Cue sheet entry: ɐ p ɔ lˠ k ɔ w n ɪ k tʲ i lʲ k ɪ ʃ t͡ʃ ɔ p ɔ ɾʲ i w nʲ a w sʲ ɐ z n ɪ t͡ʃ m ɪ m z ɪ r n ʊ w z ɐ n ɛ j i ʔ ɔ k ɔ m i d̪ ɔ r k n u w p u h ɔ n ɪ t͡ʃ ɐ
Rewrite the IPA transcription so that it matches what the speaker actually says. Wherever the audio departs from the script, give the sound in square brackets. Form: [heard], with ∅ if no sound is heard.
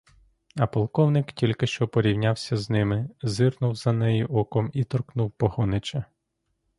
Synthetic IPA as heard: ɐ p ɔ lˠ k ɔ w n ɪ k tʲ i lʲ k ɪ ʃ t͡ʃ ɔ p ɔ ɾʲ i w nʲ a w sʲ ɐ z n ɪ [∅] m ɪ [∅] z ɪ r n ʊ w z ɐ n ɛ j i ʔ ɔ k ɔ m i [t̪] ɔ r k n u w p [ɔ] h ɔ n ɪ t͡ʃ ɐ